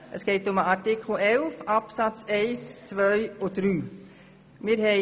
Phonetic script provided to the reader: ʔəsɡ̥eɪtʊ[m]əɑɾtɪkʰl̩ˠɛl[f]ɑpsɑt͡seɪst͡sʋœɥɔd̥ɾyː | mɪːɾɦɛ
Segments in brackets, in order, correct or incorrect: correct, correct

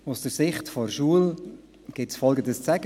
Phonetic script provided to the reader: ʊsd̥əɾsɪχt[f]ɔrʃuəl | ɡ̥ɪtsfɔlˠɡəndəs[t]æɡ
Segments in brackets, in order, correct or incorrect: correct, incorrect

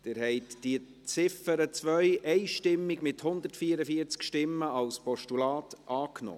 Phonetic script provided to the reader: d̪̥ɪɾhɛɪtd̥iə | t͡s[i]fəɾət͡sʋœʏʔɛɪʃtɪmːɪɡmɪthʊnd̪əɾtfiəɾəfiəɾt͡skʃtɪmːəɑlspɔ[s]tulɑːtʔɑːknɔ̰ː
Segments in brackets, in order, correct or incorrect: incorrect, incorrect

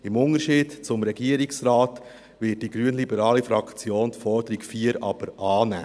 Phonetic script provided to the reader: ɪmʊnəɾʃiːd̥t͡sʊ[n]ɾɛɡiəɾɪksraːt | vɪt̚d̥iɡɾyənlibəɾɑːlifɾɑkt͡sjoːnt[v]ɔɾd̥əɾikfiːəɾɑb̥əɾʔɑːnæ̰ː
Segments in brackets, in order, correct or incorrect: incorrect, incorrect

